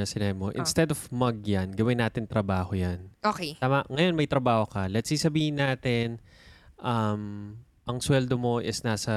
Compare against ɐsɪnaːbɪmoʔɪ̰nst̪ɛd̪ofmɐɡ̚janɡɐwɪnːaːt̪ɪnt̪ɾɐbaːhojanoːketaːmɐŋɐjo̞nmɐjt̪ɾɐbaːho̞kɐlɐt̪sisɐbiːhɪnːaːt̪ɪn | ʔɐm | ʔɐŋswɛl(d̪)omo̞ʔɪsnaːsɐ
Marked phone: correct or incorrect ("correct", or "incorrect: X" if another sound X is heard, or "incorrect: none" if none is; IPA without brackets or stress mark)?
correct